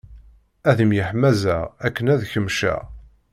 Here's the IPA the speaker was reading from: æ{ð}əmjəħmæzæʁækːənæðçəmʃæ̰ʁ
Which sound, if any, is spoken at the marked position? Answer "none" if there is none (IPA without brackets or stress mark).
ð